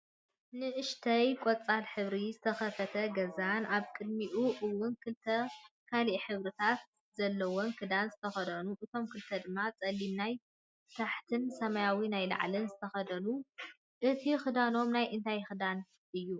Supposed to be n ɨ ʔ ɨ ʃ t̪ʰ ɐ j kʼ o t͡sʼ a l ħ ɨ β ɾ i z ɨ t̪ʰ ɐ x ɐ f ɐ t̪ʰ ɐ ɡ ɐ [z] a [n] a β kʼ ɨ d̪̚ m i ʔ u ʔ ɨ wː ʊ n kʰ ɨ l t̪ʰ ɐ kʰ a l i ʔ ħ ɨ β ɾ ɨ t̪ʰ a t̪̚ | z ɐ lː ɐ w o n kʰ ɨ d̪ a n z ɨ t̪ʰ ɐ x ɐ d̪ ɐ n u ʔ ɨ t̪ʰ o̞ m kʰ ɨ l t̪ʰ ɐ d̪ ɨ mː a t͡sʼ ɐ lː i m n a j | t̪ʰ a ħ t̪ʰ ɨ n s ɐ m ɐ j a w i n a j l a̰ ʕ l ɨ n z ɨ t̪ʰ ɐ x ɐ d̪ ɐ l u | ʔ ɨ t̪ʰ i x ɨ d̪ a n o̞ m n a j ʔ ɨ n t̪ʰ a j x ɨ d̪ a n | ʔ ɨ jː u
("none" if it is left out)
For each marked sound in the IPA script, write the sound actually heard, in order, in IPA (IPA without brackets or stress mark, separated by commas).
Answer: z, n